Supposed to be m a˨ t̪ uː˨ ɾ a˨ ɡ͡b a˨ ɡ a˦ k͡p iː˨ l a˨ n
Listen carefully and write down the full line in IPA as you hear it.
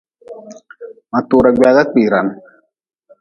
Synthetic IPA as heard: m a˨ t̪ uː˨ ɾ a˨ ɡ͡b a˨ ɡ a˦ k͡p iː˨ ɾ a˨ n